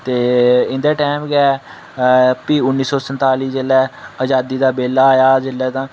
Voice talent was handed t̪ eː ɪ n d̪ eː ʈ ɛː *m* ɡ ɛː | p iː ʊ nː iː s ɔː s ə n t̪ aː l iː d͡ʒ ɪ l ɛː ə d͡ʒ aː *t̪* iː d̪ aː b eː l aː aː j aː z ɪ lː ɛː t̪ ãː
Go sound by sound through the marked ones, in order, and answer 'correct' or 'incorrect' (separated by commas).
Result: correct, incorrect